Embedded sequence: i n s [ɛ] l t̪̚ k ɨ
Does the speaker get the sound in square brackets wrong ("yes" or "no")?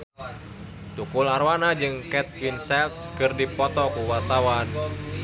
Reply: no